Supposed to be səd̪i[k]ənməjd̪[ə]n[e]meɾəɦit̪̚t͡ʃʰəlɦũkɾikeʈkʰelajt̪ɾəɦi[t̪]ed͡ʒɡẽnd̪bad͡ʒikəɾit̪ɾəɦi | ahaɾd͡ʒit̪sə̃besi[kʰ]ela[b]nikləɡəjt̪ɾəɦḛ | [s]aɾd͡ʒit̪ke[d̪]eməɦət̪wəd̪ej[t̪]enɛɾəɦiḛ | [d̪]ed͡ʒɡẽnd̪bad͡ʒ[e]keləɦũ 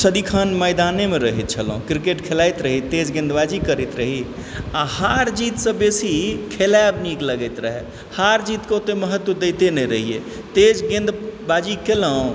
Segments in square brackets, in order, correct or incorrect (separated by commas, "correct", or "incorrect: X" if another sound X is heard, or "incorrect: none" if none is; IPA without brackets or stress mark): incorrect: kʰ, incorrect: a, correct, correct, correct, correct, incorrect: h, incorrect: t̪, correct, incorrect: t̪, incorrect: i